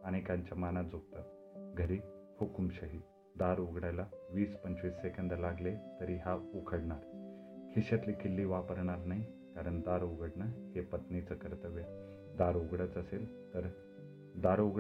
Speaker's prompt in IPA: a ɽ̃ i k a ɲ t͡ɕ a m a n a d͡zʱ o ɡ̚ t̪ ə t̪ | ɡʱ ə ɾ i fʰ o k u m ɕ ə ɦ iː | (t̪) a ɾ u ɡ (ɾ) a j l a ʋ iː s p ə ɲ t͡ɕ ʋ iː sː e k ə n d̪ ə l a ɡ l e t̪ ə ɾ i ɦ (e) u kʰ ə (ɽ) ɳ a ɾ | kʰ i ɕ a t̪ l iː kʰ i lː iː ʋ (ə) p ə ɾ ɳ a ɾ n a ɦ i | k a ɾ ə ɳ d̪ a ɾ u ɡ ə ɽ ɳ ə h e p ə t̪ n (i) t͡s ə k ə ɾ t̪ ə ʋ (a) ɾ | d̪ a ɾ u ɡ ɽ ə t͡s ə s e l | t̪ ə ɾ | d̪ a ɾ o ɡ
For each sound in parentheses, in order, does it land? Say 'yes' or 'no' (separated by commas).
no, no, no, yes, no, yes, no